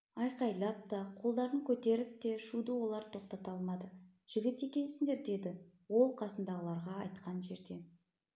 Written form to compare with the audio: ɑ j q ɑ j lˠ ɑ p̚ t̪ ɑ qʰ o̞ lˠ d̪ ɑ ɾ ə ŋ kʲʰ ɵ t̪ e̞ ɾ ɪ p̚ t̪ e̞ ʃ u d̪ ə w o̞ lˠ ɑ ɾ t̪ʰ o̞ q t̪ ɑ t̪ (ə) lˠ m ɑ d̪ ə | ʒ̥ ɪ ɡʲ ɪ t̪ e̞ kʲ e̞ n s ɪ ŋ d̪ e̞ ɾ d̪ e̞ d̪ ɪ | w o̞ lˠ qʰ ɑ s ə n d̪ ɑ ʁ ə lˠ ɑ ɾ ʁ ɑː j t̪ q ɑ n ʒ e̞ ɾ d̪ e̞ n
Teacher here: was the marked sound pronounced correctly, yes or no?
no